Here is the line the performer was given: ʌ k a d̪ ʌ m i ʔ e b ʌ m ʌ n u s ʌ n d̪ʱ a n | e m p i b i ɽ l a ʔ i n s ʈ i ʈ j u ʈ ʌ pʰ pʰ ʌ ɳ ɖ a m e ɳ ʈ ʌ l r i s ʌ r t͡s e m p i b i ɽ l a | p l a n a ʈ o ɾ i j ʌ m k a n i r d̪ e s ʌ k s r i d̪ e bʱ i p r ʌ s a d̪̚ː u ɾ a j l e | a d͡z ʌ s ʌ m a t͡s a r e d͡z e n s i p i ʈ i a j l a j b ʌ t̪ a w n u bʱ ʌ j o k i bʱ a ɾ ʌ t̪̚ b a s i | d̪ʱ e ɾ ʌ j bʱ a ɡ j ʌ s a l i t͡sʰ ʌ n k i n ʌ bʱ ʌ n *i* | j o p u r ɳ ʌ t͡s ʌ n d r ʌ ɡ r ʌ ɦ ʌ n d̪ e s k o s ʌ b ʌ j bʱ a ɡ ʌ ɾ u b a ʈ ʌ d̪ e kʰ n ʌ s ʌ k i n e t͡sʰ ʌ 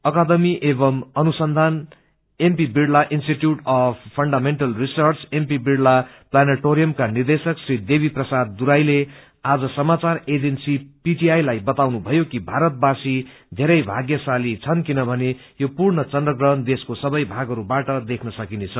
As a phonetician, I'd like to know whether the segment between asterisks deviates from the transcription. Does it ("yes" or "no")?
yes